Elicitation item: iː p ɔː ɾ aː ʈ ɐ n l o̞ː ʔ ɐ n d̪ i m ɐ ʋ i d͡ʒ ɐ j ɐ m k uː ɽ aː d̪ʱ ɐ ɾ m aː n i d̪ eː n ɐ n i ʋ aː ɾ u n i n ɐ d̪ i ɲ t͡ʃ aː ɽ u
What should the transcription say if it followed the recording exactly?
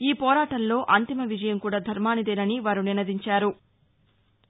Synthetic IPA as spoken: iː p ɔː ɾ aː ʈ ɐ n l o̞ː ʔ ɐ n t̪ i m ɐ ʋ i d͡ʒ ɐ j ɐ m k uː ɽ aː d̪ʱ ɐ ɾ m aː n i d̪ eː n ɐ n i ʋ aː ɾ u n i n ɐ d̪ i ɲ t͡ʃ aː ɾ u

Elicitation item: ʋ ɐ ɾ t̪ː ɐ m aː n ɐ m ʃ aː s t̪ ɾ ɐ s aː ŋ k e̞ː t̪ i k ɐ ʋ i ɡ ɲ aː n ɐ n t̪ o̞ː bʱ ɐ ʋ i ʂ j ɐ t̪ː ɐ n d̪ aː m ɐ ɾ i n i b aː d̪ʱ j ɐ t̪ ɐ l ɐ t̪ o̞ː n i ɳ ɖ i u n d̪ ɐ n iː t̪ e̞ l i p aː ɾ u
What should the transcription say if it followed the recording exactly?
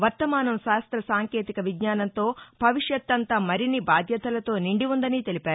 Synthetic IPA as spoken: ʋ ɐ ɾ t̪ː ɐ m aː n ɐ m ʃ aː s t̪ ɾ ɐ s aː ŋ k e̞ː t̪ i k ɐ ʋ i ɡ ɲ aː n ɐ n t̪ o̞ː bʱ ɐ ʋ i ʂ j ɐ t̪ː ɐ n t̪ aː m ɐ ɾ i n i b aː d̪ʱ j ɐ t̪ ɐ l ɐ t̪ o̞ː n i ɳ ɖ i u n d̪ ɐ n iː t̪ e̞ l i p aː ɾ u

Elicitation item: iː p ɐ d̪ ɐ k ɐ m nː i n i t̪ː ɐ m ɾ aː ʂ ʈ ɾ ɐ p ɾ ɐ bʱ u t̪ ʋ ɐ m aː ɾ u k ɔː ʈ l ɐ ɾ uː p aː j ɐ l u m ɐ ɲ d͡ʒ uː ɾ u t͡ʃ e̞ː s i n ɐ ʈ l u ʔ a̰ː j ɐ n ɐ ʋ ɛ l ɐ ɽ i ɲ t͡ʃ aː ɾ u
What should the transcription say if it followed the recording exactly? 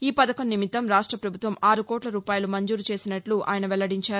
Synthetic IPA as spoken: iː p ɐ d̪ ɐ k ɐ m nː i m i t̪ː ɐ m ɾ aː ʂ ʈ ɾ ɐ p ɾ ɐ bʱ u t̪ ʋ ɐ m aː ɾ u k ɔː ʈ l ɐ ɾ uː p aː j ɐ l u m ɐ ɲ d͡ʒ uː ɾ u t͡ʃ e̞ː s i n ɐ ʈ l u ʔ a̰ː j ɐ n ɐ ʋ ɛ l ɐ ɽ i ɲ t͡ʃ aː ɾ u

